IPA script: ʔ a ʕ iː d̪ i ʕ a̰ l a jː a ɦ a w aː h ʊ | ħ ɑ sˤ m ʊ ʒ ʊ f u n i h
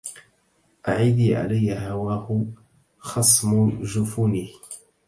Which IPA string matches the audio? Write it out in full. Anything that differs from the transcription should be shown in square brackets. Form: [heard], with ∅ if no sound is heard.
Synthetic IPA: ʔ a ʕ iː d̪ i ʕ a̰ l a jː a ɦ a w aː h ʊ | [x] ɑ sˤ m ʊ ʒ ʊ f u n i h